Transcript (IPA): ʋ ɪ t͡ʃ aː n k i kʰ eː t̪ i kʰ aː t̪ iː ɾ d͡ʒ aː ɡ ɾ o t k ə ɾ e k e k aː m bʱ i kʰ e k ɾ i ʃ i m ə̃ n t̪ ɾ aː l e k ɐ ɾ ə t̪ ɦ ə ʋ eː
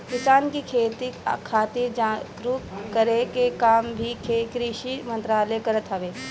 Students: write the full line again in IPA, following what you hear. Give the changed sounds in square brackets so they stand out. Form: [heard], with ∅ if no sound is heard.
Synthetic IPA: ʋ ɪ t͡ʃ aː n k i kʰ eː t̪ i kʰ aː t̪ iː ɾ d͡ʒ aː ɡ ɾ [u] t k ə ɾ e k e k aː m bʱ i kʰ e k ɾ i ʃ i m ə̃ n t̪ ɾ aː l e k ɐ ɾ ə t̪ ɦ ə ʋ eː